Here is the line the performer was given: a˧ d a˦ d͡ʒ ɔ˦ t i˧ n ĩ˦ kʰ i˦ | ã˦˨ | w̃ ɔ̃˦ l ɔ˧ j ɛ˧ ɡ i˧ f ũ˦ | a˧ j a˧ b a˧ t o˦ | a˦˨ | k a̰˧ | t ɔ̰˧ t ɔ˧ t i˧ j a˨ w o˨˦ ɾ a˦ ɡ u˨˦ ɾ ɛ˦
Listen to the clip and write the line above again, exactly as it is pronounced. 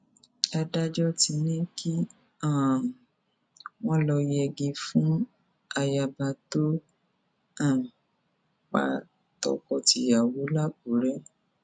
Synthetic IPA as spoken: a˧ d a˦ d͡ʒ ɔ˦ t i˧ n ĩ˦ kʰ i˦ | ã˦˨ | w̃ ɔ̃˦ l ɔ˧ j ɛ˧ ɡ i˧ f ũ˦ | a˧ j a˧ b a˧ t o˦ | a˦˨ | k͡p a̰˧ | t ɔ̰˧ k ɔ˧ t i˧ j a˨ w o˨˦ l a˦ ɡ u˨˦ ɾ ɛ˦

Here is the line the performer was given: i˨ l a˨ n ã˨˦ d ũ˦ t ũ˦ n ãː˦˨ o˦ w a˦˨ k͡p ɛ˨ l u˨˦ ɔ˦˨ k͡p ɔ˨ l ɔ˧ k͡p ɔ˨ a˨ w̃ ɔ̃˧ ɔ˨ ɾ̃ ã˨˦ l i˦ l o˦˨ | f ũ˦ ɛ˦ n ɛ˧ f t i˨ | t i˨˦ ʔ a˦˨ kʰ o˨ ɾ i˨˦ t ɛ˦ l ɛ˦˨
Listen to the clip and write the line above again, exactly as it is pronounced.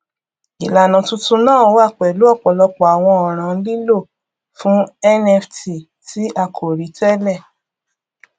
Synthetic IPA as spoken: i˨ l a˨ n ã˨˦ t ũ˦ t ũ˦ n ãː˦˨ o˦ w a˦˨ k͡p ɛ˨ l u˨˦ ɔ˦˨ k͡p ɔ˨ l ɔ˧ k͡p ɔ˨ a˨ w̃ ɔ̃˧ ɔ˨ ɾ̃ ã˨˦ l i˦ l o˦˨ | f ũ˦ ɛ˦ n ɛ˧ f t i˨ | t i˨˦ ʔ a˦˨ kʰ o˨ ɾ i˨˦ t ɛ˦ l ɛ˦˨

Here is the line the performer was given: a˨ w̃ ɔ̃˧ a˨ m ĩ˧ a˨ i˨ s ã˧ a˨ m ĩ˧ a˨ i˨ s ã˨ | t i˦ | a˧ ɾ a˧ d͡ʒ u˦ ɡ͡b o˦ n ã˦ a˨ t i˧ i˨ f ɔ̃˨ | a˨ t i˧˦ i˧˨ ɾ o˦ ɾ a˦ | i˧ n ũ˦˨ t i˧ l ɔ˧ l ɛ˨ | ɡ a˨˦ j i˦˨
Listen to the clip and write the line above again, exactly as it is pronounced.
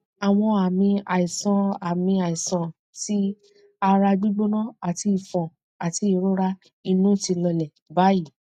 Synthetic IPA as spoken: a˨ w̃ ɔ̃˧ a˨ m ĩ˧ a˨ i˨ s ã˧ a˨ m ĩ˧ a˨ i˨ s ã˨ | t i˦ | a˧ ɾ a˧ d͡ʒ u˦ ɡ͡b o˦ n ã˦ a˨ t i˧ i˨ f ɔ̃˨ | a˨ t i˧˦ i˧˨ ɾ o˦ ɾ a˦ | i˧ n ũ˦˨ t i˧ l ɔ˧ l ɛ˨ | b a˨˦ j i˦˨

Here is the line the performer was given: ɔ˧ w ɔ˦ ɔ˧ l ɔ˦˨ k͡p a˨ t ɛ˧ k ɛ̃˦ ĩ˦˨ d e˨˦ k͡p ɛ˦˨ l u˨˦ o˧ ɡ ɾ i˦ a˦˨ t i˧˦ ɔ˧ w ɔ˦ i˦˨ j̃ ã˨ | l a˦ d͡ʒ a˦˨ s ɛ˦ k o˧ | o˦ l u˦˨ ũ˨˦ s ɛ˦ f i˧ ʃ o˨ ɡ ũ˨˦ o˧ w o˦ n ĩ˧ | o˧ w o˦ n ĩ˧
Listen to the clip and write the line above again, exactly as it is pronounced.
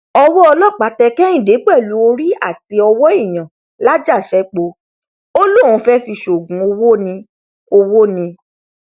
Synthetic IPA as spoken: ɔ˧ w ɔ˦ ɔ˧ l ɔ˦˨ k͡p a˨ t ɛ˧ k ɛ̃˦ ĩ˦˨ d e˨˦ k͡p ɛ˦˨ l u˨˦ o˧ ɾ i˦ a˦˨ t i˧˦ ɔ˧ w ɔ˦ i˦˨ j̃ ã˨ | l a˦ d͡ʒ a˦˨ ʃ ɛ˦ k͡p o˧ | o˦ l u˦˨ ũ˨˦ f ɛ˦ f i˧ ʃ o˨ ɡ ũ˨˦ o˧ w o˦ n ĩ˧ | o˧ w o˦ n ĩ˧

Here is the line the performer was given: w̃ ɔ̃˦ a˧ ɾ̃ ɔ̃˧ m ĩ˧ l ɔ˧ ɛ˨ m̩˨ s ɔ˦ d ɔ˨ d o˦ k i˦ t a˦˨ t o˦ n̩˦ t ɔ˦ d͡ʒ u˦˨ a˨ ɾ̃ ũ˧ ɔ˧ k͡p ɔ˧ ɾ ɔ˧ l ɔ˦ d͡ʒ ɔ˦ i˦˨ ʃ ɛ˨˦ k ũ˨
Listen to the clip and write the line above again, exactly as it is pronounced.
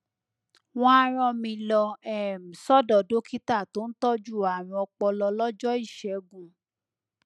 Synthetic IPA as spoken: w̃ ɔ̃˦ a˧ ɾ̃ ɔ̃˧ m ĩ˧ l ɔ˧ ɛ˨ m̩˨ s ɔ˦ d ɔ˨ d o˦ k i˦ t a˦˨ t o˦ n̩˦ t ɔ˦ d͡ʒ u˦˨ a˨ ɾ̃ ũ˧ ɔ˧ k͡p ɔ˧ l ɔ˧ l ɔ˦ d͡ʒ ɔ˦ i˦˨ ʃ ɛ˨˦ ɡ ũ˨

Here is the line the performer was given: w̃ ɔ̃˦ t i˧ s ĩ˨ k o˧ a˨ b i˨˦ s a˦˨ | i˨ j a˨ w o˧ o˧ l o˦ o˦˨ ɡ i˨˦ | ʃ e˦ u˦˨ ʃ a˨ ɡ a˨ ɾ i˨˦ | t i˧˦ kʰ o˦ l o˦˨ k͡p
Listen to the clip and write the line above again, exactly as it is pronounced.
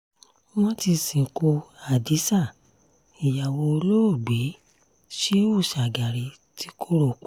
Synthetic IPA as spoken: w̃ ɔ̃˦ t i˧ s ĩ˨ k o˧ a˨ d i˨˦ s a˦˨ | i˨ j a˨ w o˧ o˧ l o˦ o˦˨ ɡ͡b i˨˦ | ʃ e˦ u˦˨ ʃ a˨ ɡ a˨ ɾ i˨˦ | t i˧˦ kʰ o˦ ɾ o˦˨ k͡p

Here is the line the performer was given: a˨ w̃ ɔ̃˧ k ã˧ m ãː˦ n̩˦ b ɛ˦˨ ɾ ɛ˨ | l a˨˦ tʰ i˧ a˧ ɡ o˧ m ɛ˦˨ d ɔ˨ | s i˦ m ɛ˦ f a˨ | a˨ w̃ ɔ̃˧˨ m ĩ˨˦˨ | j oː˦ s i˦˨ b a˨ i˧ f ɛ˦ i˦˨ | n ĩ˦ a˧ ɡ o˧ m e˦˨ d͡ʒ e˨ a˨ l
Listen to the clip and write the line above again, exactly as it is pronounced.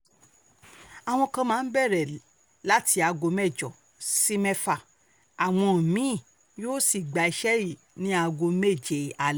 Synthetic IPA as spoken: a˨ w̃ ɔ̃˧ k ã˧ m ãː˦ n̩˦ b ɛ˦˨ ɾ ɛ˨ | l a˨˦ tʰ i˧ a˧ ɡ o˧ m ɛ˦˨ d͡ʒ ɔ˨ | s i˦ m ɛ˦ f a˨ | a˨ w̃ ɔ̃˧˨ m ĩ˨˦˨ | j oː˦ s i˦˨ ɡ͡b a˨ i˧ ʃ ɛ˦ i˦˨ | n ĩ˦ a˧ ɡ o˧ m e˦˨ d͡ʒ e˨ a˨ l

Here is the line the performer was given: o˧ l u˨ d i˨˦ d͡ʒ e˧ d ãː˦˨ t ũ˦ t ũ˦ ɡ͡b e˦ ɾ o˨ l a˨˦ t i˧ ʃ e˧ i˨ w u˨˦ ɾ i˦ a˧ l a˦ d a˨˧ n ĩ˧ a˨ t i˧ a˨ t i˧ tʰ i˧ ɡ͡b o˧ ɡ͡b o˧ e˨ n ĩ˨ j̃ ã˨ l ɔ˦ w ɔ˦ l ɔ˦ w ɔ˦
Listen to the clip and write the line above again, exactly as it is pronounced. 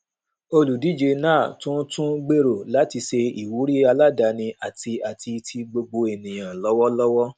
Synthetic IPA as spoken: o˧ l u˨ d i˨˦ d͡ʒ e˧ n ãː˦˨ t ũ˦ t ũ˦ ɡ͡b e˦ ɾ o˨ l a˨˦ t i˧ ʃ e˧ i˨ w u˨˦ ɾ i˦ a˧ l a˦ d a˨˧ n ĩ˧ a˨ t i˧ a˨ t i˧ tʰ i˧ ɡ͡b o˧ ɡ͡b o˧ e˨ n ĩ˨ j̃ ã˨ l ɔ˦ w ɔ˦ l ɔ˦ w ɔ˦

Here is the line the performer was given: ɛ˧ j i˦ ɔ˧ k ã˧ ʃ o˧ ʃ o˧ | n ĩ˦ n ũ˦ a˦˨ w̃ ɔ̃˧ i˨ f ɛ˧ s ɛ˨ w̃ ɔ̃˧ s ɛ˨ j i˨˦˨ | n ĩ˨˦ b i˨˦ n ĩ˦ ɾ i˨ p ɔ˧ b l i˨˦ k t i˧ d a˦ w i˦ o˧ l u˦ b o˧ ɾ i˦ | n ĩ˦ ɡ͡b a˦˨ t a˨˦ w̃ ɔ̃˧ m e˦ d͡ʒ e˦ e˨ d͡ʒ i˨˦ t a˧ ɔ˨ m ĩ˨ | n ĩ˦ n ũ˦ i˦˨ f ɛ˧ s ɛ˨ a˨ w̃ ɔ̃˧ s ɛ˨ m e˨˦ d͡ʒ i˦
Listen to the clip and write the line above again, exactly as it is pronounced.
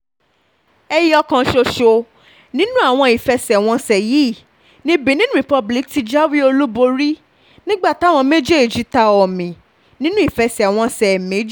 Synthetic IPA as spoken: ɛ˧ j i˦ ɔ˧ k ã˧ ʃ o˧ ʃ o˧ | n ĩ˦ n ũ˦ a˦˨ w̃ ɔ̃˧ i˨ f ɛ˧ s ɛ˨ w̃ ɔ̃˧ s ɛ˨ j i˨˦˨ | n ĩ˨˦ b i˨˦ n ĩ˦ ɾ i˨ p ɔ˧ b l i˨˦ k t i˧ d͡ʒ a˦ w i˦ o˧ l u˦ b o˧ ɾ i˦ | n ĩ˦ ɡ͡b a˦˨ t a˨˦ w̃ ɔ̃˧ m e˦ d͡ʒ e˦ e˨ d͡ʒ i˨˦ t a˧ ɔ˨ m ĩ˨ | n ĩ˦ n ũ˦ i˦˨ f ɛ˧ s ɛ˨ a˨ w̃ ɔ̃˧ s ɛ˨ m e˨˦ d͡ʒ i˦

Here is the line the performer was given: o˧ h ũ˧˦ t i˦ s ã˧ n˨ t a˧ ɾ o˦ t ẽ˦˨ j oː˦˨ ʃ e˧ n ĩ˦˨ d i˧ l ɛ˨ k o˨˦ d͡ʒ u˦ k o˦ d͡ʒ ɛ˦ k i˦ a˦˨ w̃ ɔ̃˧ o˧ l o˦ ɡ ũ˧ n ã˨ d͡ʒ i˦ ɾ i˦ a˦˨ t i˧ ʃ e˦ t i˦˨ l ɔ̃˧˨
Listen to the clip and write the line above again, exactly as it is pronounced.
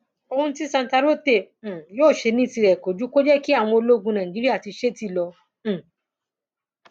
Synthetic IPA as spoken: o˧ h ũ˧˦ t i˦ s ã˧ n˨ t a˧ ɾ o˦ t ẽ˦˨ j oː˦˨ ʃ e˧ n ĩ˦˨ t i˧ ɾ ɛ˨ k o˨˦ d͡ʒ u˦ k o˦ d͡ʒ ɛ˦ k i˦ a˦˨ w̃ ɔ̃˧ o˧ l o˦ ɡ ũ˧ n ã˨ d͡ʒ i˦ ɾ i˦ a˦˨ t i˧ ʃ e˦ t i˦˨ l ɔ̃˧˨

